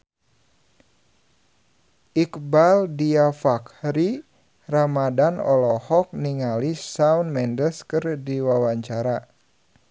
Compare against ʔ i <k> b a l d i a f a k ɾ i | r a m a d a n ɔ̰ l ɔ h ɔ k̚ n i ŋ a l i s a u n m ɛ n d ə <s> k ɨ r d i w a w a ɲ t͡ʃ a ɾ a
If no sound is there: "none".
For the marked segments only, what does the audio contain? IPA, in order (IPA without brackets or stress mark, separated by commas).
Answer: k, s